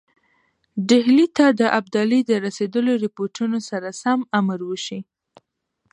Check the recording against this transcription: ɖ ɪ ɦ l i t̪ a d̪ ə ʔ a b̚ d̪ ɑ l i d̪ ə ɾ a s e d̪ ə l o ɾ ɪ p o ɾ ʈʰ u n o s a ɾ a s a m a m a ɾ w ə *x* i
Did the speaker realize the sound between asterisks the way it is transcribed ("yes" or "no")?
no